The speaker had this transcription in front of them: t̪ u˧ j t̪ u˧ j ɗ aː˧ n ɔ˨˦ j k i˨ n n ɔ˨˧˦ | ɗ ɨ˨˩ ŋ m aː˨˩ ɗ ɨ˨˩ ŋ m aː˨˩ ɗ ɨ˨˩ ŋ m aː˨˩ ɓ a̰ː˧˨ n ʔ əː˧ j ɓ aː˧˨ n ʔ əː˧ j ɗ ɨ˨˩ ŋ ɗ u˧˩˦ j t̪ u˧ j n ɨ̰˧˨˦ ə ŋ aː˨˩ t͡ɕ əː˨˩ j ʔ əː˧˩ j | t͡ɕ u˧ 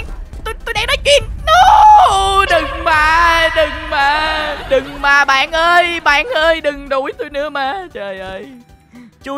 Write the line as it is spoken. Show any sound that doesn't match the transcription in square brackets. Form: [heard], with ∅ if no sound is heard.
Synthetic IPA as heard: t̪ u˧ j t̪ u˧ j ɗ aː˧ n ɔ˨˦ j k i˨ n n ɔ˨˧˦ | ɗ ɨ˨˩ ŋ m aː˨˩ ɗ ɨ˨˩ ŋ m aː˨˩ ɗ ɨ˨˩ ŋ m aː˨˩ ɓ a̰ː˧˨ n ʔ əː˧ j ɓ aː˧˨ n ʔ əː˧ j ɗ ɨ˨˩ ŋ ɗ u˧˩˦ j t̪ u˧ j n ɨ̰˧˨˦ ə [m] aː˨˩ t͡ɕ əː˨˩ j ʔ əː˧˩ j | t͡ɕ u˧

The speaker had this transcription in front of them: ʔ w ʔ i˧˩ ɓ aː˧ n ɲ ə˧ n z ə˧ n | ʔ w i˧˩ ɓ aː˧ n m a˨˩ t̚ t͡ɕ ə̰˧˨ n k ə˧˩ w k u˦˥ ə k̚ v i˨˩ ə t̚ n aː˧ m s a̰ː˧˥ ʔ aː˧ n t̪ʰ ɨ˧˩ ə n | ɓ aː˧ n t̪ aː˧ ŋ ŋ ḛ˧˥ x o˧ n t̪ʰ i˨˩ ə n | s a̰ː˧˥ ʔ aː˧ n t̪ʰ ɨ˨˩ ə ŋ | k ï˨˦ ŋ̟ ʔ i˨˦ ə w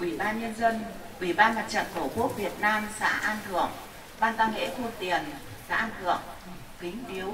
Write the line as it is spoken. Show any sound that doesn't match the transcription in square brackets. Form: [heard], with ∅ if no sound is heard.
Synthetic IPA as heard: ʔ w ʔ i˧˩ ɓ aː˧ n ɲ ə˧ n z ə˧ n | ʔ w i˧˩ ɓ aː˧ n m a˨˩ t̚ t͡ɕ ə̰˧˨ n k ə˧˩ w k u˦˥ ə k̚ v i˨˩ ə t̚ n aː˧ m s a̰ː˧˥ ʔ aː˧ n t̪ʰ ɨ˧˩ ə [ŋ] | ɓ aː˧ n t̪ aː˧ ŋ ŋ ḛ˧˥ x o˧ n [t̪] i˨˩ ə n | s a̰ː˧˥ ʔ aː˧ n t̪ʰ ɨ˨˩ ə ŋ | k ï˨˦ ŋ̟ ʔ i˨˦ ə w

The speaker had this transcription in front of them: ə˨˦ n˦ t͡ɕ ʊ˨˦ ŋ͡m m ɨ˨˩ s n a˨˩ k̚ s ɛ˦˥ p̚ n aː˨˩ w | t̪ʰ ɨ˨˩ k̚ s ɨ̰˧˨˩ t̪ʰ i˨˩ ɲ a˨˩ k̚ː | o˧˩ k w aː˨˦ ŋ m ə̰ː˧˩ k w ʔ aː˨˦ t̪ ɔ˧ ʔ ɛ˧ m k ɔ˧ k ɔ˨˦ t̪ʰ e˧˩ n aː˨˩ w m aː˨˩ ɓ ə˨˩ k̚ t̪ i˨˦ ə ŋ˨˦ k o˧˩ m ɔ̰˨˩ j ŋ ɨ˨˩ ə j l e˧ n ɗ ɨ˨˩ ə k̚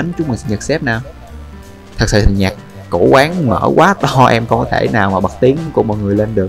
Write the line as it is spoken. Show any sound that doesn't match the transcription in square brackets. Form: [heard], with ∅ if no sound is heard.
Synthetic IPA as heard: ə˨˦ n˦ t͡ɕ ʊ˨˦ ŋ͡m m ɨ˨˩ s [ɲ] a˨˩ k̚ s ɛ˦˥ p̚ n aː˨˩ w | t̪ʰ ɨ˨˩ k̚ s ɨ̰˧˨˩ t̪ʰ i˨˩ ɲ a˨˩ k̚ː | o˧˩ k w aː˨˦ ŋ m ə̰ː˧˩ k w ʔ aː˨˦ t̪ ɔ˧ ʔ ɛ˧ m k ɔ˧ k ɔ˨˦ t̪ʰ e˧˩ n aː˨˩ w m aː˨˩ ɓ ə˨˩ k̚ t̪ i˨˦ ə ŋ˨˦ k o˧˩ m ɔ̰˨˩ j ŋ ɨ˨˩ ə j l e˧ n ɗ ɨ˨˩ ə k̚

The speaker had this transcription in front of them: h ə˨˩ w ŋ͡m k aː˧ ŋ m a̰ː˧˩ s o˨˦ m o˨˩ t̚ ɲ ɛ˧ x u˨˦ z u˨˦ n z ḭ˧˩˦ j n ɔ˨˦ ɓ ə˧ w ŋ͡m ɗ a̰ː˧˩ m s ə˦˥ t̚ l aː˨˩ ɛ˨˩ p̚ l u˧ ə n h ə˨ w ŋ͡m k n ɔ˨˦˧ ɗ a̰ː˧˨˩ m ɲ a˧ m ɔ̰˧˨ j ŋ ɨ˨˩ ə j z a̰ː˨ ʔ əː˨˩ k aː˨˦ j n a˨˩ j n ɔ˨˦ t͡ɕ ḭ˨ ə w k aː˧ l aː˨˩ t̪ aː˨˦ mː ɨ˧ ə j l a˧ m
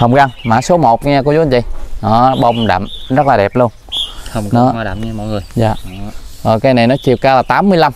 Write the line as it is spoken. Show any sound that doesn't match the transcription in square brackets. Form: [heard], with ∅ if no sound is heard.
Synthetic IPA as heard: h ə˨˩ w ŋ͡m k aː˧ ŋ m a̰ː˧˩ s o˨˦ m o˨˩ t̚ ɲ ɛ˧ [k] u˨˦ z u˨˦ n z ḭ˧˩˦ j n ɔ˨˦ ɓ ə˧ w ŋ͡m ɗ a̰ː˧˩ m [z] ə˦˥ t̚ l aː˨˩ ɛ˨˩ p̚ l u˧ ə n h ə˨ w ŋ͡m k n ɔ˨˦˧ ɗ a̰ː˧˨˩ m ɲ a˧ m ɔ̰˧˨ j ŋ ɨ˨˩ ə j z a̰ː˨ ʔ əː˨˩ k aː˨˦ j n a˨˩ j n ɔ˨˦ t͡ɕ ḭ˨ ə w k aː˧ l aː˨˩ t̪ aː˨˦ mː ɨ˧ ə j l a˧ m

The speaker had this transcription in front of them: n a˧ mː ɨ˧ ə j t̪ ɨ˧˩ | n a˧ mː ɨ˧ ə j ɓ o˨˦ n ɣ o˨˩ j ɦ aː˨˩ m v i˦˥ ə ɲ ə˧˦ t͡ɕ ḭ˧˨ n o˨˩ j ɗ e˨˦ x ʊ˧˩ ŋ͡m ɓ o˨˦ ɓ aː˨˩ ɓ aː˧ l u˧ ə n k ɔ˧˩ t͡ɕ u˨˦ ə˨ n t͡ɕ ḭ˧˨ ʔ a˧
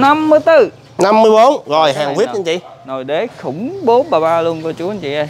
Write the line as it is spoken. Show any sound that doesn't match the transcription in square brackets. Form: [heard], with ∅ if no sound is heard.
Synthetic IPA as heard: n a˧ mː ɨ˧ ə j t̪ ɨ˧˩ | n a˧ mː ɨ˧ ə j ɓ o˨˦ n ɣ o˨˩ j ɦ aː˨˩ [ŋ] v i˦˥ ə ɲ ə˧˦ t͡ɕ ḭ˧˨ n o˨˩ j ɗ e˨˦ x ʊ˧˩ ŋ͡m ɓ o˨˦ ɓ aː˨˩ ɓ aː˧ l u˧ ə n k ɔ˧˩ t͡ɕ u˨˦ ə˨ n t͡ɕ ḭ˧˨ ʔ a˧

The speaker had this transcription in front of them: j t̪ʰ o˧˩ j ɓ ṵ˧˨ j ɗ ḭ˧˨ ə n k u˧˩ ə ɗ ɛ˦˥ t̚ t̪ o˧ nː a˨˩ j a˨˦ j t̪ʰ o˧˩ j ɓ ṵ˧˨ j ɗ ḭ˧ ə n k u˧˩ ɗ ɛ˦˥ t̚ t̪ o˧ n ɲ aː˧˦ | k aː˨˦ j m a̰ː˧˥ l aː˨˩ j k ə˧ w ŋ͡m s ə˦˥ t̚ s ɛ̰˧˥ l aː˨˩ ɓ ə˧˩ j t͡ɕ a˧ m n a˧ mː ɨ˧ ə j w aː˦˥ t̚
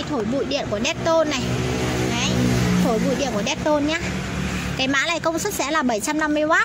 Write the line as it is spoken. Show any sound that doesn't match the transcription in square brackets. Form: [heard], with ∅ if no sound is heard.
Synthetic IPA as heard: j t̪ʰ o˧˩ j ɓ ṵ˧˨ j ɗ ḭ˧˨ ə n k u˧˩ ə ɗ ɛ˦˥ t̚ t̪ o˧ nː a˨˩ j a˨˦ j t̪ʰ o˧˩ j ɓ ṵ˧˨ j ɗ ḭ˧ ə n k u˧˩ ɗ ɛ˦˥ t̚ t̪ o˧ n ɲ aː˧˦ | k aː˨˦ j m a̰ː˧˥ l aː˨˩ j k ə˧ w ŋ͡m s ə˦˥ t̚ s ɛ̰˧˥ l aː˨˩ ɓ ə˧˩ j t͡ɕ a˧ m n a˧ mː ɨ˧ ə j w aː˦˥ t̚

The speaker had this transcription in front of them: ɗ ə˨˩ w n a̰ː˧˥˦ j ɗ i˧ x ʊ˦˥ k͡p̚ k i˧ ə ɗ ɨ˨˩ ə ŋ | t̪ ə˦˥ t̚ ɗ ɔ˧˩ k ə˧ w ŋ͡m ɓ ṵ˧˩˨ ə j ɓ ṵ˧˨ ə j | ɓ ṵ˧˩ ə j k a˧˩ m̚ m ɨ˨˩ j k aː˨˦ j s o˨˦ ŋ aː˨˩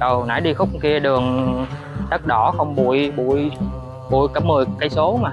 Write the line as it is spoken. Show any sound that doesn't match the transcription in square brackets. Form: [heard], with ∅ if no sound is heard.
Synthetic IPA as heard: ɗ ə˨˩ w n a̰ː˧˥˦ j ɗ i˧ x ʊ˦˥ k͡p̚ k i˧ ə ɗ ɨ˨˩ ə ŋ | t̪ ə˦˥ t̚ ɗ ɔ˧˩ [x] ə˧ w ŋ͡m ɓ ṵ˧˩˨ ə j ɓ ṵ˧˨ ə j | ɓ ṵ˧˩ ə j k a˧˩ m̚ m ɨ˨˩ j k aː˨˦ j s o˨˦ [m] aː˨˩

